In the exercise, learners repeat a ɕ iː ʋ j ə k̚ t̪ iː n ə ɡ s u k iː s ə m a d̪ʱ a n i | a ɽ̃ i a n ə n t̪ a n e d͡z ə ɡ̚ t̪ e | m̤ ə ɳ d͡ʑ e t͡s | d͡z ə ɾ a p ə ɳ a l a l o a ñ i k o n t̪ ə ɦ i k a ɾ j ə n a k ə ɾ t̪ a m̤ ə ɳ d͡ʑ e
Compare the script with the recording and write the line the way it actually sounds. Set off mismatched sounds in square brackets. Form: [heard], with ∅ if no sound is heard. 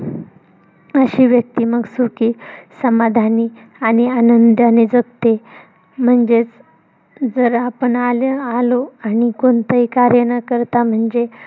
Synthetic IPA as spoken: [ə] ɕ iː ʋ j ə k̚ t̪ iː [m] ə ɡ s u k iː s ə m a d̪ʱ a n i | a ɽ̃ i a n ə n [d̪] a n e d͡z ə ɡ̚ t̪ e | m̤ ə ɳ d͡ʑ e t͡s | d͡z ə ɾ a p ə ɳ a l a l o a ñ i k o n t̪ ə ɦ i k a ɾ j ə n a k ə ɾ t̪ a m̤ ə ɳ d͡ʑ e